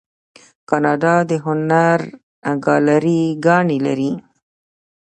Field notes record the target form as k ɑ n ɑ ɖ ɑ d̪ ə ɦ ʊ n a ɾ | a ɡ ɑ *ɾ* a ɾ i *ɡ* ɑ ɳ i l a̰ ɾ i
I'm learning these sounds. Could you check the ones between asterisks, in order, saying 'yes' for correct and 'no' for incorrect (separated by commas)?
no, yes